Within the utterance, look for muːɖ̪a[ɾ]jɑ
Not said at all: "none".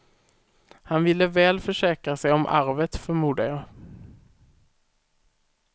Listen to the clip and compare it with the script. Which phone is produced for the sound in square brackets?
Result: none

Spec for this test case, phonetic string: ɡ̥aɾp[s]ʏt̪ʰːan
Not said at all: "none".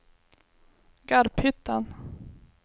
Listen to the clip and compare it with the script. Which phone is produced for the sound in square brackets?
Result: h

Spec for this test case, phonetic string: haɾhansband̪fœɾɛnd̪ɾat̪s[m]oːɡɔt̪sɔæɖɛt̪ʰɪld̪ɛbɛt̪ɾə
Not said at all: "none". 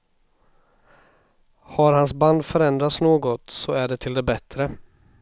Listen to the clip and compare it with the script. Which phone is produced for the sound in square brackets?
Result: n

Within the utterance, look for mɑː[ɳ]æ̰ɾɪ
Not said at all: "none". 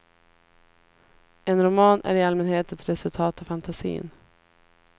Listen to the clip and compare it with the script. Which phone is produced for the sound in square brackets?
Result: n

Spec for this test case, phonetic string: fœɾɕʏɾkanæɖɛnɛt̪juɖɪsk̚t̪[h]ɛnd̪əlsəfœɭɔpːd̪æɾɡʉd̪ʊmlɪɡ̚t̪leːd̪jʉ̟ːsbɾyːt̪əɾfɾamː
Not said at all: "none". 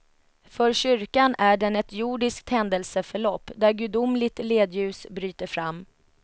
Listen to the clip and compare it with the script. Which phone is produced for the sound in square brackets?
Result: h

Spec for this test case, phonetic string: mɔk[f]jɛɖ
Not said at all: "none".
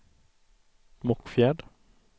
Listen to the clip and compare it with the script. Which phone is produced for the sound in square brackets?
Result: f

